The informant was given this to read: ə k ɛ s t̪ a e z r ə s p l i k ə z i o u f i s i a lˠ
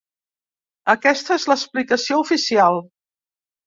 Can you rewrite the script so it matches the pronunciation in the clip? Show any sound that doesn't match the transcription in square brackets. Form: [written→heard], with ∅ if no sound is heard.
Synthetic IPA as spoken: ə k ɛ s t̪ [a→ə] e z [r→l] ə s p l i k ə [z→s] i o u f i s i a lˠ